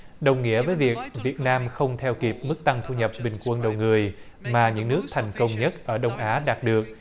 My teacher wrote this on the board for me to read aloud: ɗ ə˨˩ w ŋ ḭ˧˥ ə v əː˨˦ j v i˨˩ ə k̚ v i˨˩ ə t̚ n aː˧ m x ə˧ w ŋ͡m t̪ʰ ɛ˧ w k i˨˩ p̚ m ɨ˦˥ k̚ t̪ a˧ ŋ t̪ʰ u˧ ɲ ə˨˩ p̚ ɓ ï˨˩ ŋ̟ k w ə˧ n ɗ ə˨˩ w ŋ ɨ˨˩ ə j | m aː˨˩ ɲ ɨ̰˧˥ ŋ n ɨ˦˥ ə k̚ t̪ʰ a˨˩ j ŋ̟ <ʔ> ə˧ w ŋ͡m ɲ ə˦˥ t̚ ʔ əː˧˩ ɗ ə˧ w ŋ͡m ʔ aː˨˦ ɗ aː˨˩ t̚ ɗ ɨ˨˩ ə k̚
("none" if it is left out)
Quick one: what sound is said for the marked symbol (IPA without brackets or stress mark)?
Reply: k